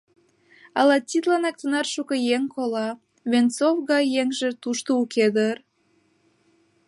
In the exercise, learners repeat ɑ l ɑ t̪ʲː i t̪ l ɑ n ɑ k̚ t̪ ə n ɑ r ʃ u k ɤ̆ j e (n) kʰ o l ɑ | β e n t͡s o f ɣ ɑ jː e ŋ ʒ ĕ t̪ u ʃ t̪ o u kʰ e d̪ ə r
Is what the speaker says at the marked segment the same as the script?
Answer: no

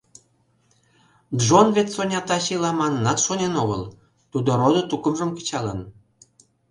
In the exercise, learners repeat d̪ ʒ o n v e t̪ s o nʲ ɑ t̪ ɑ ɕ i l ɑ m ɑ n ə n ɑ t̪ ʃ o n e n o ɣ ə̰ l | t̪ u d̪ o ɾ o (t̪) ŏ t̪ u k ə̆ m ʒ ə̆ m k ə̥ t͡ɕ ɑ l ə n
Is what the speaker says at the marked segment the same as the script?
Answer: no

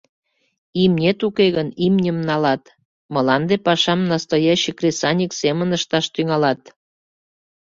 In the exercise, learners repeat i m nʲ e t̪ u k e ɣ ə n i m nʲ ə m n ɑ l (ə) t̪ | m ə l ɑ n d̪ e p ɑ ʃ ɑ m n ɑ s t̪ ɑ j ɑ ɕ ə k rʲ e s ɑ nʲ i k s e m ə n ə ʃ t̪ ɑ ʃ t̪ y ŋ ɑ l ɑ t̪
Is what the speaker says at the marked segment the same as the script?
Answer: no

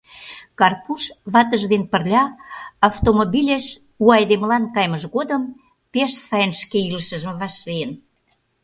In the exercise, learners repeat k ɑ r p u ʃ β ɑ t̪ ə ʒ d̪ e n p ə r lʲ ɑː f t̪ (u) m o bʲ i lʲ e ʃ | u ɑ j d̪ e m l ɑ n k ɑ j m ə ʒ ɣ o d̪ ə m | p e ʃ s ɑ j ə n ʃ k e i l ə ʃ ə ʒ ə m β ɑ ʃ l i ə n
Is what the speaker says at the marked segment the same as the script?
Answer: no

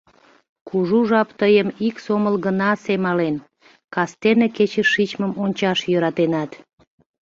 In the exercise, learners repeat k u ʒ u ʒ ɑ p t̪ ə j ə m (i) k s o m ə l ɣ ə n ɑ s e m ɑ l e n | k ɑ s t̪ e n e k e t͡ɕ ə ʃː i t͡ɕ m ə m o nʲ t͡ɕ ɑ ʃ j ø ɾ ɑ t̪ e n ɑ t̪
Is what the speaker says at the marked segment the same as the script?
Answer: yes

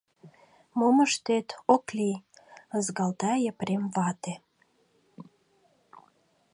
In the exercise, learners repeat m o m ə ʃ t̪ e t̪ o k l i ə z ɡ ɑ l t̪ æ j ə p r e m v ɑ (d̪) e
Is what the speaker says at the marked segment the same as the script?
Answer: no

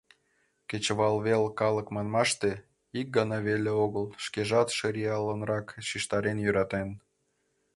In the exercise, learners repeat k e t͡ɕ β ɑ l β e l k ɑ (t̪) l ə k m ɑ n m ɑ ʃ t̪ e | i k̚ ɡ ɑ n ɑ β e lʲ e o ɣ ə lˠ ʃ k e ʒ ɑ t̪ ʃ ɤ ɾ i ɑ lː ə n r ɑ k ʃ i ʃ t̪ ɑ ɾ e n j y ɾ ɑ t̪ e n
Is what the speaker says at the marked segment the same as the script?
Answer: no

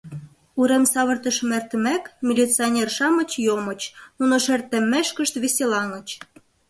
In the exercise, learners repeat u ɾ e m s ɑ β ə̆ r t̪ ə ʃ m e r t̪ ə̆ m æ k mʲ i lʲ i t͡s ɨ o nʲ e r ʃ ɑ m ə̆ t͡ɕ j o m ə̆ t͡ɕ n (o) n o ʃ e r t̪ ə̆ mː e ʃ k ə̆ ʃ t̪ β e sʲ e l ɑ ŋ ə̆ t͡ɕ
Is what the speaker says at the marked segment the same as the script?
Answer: no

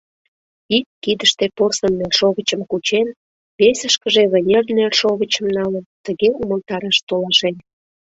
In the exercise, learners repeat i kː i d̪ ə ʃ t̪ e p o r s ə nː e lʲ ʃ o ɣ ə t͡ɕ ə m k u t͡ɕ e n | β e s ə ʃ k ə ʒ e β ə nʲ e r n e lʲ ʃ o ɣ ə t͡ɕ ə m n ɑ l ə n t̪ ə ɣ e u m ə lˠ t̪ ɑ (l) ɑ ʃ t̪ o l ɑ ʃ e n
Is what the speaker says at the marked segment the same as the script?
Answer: no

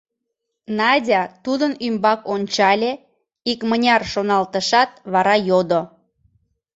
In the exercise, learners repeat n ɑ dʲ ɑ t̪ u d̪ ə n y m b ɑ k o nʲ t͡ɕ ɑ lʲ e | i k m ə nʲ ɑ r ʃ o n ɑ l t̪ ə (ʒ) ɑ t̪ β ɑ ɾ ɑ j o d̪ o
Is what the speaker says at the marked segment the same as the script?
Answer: no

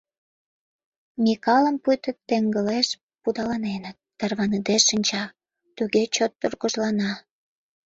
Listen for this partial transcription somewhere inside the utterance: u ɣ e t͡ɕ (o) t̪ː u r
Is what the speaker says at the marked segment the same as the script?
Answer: yes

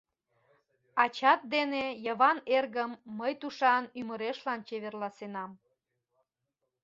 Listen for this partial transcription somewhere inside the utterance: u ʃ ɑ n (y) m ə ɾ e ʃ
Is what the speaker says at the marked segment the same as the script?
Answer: yes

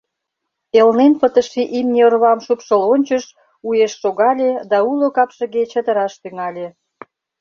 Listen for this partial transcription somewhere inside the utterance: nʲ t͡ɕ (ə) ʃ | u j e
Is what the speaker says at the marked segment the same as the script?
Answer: yes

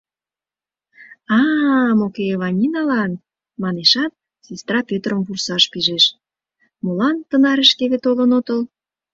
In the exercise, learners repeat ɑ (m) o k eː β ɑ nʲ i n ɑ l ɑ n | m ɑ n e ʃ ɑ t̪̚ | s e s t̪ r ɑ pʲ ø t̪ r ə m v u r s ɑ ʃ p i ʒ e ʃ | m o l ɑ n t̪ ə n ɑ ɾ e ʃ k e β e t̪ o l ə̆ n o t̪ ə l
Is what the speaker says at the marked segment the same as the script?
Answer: yes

